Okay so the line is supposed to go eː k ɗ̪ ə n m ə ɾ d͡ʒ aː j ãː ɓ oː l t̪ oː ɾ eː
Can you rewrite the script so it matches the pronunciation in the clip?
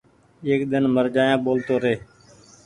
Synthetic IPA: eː k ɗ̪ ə n m ə ɾ d͡ʒ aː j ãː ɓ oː l t̪ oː ɾ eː